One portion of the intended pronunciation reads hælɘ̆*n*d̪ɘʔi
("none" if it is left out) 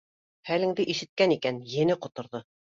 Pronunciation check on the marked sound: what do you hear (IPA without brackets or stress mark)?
ŋ